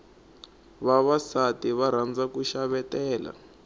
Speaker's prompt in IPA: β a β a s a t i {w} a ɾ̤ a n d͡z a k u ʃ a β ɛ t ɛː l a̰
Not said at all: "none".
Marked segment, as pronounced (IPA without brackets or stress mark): β